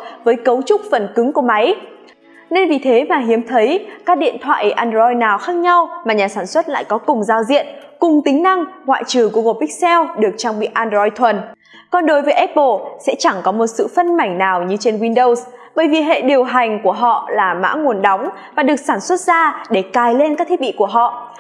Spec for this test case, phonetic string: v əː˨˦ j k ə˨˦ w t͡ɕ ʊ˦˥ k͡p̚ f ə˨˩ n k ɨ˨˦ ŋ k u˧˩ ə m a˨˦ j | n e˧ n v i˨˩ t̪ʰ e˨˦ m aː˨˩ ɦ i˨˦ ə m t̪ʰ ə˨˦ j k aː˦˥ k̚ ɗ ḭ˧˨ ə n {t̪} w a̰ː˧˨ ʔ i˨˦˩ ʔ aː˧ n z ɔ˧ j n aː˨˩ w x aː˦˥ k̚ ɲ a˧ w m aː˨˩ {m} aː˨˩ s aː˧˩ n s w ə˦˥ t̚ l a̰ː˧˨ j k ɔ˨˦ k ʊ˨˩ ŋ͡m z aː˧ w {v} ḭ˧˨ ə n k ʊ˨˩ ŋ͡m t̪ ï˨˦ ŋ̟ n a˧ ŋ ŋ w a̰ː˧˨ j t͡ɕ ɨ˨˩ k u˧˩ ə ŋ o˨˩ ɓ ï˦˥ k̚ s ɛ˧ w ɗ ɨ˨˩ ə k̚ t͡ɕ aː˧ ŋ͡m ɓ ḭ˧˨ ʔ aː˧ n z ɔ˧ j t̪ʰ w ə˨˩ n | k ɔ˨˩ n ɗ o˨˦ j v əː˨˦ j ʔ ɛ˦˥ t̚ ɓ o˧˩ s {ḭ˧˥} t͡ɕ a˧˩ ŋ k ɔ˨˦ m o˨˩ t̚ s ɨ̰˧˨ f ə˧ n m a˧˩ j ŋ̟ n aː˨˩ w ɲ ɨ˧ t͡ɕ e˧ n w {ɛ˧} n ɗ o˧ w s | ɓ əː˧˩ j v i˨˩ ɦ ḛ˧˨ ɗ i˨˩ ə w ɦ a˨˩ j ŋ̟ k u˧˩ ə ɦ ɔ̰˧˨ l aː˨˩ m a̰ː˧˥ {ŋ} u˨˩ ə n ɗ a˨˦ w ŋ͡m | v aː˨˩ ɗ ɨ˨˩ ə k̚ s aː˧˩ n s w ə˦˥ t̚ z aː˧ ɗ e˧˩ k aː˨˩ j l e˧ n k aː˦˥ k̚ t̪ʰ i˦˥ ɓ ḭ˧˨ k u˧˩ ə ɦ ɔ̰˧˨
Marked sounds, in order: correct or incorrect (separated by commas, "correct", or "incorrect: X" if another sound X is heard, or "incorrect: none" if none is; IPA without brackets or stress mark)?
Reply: incorrect: t̪ʰ, incorrect: ɲ, incorrect: z, incorrect: ɛ̰˧˥, incorrect: i˧, correct